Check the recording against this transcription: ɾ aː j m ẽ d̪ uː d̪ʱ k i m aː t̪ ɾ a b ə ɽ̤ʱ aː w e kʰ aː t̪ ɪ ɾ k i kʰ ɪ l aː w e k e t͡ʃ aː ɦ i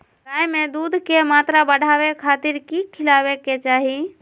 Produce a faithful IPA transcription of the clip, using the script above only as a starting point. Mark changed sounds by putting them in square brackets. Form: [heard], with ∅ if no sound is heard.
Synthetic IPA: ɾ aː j m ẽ d̪ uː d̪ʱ k [e] m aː t̪ ɾ a b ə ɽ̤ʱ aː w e kʰ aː t̪ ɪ ɾ k i kʰ ɪ l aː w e k e t͡ʃ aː ɦ i